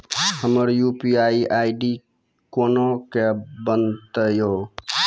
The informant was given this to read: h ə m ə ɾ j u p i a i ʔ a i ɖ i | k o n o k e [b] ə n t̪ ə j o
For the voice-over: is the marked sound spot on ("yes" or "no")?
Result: yes